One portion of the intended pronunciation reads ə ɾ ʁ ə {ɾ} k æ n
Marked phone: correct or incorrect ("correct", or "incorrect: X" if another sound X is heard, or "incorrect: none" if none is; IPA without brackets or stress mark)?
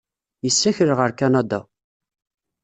correct